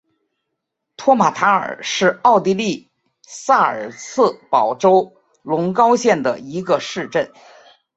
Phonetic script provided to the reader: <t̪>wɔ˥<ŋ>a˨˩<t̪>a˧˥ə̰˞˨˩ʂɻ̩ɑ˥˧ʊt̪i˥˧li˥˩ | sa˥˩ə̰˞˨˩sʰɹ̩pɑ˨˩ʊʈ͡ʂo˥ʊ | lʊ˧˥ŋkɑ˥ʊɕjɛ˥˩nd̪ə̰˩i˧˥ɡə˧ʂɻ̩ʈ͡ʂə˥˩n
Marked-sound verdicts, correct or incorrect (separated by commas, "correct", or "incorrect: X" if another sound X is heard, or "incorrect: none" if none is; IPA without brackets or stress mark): incorrect: t̪ʰ, incorrect: m, incorrect: t̪ʰ